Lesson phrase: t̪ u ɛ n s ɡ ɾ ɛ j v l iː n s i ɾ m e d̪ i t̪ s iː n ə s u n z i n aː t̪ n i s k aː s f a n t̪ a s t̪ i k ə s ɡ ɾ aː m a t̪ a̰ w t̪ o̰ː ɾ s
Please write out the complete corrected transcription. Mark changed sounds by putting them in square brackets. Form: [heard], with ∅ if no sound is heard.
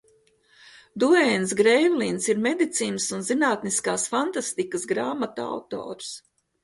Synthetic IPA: [d̪] u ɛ n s ɡ ɾ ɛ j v l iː n s i ɾ m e d̪ i t̪ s iː n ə s u n z i n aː t̪ n i s k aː s f a n t̪ a s t̪ i k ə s ɡ ɾ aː m a t̪ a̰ w t̪ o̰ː ɾ s